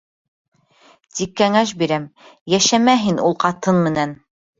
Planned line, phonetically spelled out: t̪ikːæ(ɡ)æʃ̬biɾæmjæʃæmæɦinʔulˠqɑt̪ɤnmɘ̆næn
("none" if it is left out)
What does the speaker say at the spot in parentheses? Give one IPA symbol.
ŋ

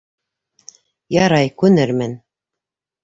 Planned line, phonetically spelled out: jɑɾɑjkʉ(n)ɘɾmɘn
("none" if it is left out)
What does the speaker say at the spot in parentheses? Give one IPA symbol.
n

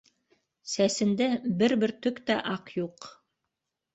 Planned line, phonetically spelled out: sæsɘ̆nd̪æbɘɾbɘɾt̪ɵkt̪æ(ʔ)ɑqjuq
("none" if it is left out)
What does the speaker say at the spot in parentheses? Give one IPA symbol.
ʔ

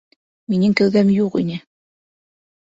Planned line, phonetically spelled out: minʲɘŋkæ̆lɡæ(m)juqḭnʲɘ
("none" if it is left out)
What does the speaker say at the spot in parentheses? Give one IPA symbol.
m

